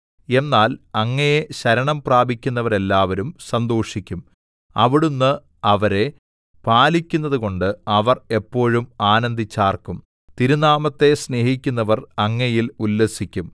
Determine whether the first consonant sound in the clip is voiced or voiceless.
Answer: voiced